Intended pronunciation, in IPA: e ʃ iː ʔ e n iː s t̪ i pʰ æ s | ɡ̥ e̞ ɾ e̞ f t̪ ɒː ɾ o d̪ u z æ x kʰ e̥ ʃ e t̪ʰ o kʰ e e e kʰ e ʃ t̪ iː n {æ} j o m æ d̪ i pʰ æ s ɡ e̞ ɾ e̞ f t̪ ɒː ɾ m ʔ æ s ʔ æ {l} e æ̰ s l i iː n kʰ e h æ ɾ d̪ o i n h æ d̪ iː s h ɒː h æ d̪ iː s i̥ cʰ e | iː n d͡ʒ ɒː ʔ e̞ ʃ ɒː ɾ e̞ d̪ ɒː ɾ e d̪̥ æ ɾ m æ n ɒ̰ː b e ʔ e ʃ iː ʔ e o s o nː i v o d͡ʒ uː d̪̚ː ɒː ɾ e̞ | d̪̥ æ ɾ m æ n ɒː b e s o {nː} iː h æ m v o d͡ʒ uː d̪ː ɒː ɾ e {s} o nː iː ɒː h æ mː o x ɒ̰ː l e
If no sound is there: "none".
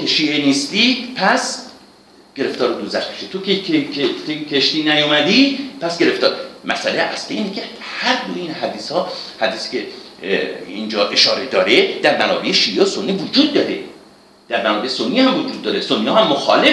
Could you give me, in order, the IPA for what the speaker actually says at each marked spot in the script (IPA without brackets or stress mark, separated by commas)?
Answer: æ, l, nː, s